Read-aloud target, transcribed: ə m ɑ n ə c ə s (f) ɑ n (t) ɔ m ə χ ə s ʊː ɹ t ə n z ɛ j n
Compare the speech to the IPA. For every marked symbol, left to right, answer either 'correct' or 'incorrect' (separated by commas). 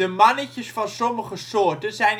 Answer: correct, incorrect